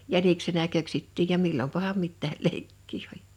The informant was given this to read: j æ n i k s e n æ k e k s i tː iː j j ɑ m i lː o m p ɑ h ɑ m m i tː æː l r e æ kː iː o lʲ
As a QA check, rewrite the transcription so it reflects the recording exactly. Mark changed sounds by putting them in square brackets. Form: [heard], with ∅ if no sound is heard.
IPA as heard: j æ n i k s e n æ k [ø] k s i tː iː j j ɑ m i lː o m p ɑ h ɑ m m i tː æː l [l] e [i] kː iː o lʲ